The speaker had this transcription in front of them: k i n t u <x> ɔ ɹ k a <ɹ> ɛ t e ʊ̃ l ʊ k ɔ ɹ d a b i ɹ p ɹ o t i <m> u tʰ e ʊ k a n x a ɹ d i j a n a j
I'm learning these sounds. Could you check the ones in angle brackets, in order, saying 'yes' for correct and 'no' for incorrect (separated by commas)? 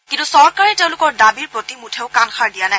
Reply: no, yes, yes